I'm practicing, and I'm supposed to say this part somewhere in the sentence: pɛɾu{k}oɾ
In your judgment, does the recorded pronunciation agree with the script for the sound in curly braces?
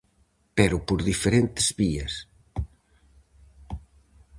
no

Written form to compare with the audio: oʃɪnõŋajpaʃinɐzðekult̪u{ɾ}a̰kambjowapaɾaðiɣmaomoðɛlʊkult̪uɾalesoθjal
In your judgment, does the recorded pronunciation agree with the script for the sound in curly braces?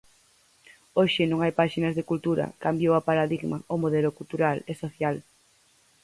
yes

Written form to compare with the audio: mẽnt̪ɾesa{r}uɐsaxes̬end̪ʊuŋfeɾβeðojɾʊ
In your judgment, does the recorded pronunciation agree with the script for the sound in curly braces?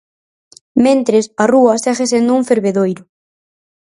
yes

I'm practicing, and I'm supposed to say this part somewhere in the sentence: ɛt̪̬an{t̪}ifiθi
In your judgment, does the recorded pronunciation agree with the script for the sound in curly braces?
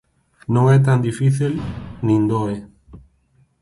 no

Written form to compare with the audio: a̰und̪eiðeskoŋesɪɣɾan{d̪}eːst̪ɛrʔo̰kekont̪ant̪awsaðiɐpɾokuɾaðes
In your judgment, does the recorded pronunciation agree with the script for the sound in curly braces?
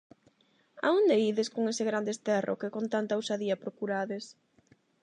yes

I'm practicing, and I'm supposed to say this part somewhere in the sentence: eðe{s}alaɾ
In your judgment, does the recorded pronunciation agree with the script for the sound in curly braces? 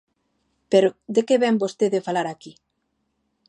no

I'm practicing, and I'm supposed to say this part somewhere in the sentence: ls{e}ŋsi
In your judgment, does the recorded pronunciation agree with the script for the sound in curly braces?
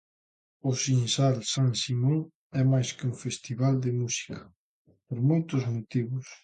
no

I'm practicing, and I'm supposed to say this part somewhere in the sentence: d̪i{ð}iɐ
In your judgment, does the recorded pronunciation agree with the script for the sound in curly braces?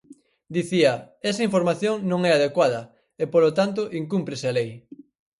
no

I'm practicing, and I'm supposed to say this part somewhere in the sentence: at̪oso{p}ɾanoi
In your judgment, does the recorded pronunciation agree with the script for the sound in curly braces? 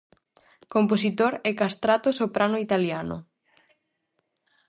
yes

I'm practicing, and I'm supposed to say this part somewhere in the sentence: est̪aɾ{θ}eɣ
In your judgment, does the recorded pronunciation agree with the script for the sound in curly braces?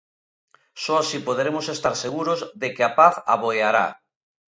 no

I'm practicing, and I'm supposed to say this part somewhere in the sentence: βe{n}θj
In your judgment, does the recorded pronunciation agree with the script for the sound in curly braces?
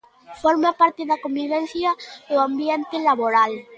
yes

